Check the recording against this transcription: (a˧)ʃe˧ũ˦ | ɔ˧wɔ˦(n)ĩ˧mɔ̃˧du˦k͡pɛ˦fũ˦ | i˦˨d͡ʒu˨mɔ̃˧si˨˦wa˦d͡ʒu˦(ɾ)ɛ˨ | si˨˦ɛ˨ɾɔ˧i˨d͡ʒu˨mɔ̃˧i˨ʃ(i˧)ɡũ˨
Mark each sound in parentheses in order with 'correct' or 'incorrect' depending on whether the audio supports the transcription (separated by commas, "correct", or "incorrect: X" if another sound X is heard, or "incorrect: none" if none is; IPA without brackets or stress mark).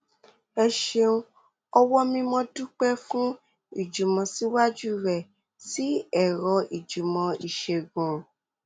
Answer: incorrect: ɛ˧, incorrect: m, correct, incorrect: e˧